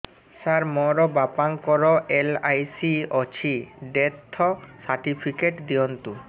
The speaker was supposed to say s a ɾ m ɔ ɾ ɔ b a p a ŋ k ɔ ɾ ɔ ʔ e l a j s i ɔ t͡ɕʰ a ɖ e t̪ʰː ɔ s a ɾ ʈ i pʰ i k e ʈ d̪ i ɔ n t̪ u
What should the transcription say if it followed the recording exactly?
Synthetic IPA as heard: s a ɾ m ɔ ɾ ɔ b a p a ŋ k ɔ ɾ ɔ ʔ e l a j s i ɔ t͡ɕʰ i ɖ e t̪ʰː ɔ s a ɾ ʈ i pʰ i k e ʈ d̪ i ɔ n t̪ u

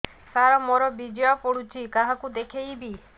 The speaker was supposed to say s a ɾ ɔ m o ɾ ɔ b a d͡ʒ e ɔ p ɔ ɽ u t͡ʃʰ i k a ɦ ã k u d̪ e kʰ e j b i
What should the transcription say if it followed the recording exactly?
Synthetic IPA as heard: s a ɾ ɔ m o ɾ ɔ b i d͡ʒ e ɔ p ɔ ɽ u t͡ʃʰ i k a ɦ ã k u d̪ e kʰ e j b i

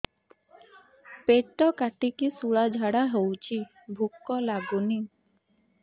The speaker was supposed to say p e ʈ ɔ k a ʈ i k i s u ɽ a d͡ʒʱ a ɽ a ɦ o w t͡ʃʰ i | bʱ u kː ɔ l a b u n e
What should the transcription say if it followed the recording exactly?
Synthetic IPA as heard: p e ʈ ɔ k a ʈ i k i s u ɭ a d͡ʒʱ a ɽ a ɦ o w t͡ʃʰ i | bʱ u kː ɔ l a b u n i

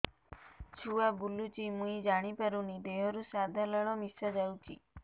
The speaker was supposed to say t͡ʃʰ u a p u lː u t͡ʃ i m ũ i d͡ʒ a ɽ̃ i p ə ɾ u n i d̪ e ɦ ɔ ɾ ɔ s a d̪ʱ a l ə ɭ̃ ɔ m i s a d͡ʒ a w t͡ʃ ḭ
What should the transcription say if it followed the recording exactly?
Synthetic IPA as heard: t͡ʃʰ u a b u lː u t͡ʃ i m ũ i d͡ʒ a ɽ̃ i p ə ɾ u n i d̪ e ɦ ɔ ɾ u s a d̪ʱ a l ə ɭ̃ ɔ m i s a d͡ʒ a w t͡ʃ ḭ

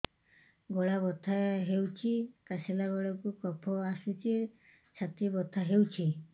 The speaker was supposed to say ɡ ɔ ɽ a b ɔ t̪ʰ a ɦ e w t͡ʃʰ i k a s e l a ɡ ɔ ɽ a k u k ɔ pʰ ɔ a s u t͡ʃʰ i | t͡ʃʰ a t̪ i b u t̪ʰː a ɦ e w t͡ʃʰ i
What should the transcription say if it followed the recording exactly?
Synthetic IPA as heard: ɡ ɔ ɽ a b ɔ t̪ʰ a ɦ e w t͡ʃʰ i k a s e l a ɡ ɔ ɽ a k u k ɔ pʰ ɔ a s u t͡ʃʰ i | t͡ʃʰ a t̪ i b ɔ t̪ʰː a ɦ e w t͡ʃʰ i

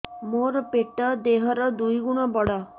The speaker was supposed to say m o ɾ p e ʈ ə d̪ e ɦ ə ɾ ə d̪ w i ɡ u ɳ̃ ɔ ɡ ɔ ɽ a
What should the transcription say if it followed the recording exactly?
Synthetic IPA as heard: m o ɾ p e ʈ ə d̪ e ɦ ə ɾ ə d̪ u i ɡ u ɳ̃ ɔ b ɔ ɽ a

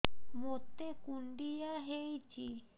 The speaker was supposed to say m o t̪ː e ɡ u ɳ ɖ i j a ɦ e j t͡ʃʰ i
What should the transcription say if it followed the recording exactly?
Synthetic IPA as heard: m o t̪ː e k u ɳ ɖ i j a ɦ e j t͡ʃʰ i

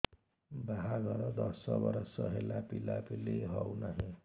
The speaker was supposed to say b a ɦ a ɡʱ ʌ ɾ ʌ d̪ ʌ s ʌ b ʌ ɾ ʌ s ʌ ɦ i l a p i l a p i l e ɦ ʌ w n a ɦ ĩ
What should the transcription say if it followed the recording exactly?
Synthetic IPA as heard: b a ɦ a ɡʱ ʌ ɾ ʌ d̪ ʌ s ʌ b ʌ ɾ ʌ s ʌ ɦ e l a p i l a p i l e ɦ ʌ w n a ɦ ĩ

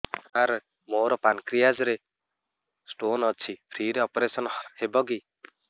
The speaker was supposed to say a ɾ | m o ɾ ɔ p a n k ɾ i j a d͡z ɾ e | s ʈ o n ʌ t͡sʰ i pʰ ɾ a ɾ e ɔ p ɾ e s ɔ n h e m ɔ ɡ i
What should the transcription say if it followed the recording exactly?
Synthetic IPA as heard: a ɾ | m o ɾ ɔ p a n k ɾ i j a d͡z ɾ e | s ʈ o n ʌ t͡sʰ i pʰ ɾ i ɾ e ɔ p ɾ e s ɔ n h e b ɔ ɡ i

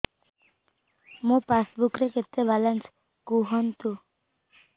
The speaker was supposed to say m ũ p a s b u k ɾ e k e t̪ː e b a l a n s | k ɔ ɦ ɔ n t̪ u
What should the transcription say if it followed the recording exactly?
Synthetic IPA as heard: m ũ p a s b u k ɾ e k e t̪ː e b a l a n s | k u ɦ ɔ n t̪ u

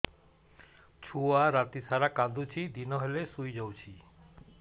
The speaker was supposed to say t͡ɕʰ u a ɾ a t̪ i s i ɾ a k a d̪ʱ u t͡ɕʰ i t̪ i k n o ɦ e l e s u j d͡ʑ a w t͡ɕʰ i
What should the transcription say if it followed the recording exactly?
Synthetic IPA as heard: t͡ɕʰ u a ɾ a t̪ i s a ɾ a k a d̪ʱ u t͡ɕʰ i d̪ i n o ɦ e l e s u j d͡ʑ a w t͡ɕʰ i

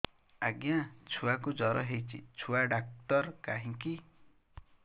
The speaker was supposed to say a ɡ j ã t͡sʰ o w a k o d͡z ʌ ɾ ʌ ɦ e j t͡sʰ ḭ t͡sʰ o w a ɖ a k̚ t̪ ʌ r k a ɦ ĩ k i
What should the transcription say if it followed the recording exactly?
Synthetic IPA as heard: a ɡ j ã t͡sʰ u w a k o d͡z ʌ ɾ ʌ ɦ e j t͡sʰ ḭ t͡sʰ u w a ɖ a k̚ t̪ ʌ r k a ɦ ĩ k i

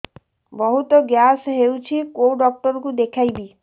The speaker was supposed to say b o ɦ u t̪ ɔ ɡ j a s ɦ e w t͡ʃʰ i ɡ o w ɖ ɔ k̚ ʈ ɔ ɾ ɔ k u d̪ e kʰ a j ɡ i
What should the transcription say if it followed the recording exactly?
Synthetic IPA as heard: b ɔ ɦ u t̪ ɔ ɡ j a s ɦ e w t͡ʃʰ i k o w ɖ ɔ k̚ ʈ ɔ ɾ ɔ k u d̪ e kʰ a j b i

